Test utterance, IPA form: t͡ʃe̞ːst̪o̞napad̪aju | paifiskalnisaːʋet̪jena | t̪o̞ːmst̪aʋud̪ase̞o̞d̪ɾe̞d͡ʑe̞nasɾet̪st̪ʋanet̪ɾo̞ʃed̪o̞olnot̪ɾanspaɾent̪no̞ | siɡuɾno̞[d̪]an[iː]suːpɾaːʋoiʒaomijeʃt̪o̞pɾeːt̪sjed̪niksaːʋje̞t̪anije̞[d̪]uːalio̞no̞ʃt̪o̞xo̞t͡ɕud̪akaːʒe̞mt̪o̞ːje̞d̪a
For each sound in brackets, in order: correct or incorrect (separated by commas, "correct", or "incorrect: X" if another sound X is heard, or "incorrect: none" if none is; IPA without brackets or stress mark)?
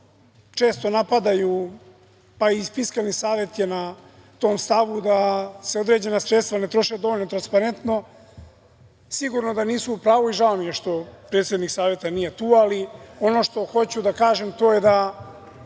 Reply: correct, correct, incorrect: t̪